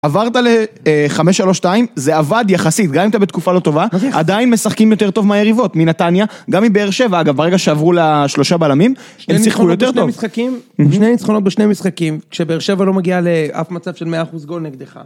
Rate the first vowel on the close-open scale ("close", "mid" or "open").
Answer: open